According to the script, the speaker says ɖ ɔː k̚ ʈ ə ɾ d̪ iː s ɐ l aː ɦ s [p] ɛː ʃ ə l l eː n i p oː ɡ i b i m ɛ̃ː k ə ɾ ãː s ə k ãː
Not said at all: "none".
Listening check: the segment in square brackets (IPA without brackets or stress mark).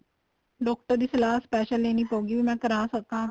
p